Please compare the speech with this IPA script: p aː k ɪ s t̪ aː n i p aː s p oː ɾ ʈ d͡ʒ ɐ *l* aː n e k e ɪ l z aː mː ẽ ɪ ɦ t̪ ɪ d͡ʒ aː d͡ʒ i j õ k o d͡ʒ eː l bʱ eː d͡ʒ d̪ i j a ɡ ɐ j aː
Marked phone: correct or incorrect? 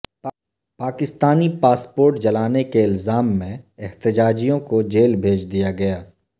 correct